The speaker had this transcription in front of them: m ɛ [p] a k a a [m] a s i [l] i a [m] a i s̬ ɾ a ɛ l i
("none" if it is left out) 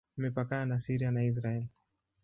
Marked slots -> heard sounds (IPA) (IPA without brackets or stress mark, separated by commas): p, n, ɾ, n